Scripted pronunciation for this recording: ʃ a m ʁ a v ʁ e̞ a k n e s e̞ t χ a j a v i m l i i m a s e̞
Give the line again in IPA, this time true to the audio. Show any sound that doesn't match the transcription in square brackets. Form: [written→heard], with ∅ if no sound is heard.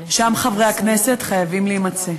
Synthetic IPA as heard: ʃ a m [ʁ→χ] a v ʁ e̞ a k n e s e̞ t χ a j a v i m l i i m a [s→t͡s] e̞